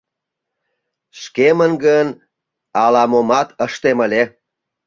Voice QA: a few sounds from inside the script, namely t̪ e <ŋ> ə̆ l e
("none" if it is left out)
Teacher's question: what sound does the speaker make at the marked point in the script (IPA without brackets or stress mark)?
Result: m